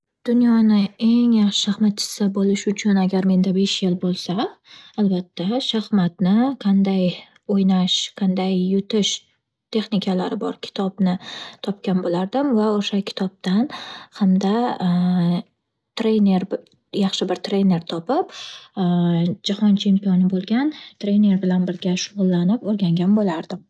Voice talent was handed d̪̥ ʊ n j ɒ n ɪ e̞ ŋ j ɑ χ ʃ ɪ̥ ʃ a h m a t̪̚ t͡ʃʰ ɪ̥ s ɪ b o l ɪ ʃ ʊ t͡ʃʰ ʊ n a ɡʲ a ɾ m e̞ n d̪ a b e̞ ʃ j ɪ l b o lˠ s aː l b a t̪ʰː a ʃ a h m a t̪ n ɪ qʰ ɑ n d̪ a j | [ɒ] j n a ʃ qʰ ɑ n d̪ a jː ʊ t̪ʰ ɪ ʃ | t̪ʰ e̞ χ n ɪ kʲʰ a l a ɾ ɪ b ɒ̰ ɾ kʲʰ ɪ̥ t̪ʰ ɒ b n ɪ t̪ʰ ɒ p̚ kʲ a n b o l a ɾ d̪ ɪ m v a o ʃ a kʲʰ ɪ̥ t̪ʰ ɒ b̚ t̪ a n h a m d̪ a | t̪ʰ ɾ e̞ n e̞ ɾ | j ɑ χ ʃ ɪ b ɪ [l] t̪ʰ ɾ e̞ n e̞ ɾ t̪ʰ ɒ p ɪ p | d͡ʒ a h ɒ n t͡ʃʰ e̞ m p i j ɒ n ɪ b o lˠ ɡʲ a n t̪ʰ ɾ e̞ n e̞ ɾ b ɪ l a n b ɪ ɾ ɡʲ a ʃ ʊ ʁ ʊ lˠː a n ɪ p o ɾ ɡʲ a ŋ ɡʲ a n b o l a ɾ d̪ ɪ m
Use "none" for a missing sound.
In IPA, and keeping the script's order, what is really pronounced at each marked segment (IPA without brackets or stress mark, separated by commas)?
o, ɾ